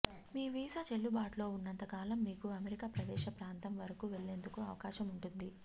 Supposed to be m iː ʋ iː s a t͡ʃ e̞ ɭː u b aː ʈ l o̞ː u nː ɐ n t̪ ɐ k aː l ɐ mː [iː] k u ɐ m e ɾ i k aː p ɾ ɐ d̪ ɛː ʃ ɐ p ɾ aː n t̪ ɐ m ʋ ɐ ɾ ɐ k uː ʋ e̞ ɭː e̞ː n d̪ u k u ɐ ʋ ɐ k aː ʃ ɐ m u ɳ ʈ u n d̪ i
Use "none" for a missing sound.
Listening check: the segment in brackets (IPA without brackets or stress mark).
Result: iː